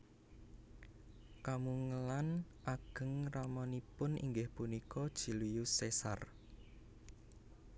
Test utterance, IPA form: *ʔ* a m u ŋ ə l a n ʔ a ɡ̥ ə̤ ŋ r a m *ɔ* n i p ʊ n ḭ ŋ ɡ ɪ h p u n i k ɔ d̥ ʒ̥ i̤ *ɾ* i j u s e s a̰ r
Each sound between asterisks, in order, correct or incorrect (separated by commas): incorrect, correct, incorrect